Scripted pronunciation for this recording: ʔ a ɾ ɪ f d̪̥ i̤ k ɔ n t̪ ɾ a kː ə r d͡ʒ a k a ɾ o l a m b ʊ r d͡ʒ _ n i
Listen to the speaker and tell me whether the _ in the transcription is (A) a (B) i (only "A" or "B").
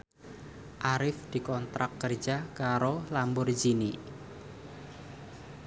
B